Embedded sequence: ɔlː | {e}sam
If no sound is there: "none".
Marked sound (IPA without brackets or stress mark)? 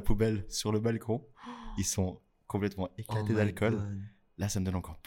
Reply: a